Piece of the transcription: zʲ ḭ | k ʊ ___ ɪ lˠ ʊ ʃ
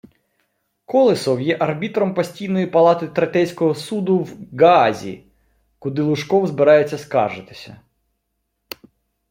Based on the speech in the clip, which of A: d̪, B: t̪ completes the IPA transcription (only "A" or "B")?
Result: A